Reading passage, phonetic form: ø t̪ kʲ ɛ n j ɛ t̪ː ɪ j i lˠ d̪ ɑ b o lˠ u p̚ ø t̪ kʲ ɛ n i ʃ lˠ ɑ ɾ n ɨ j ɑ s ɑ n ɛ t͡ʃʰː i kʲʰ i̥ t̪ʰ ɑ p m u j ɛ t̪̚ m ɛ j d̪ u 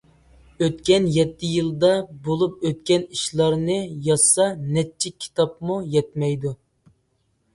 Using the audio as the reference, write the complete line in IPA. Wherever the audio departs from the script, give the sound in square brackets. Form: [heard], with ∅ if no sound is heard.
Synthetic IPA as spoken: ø t̪ kʲ ɛ n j ɛ t̪ː ɪ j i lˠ d̪ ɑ b o lˠ u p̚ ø t̪ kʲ ɛ n i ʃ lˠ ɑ ɾ n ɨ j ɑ s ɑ n ɛ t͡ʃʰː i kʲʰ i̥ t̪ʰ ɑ p m u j ɛ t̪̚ m ɛ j d̪ u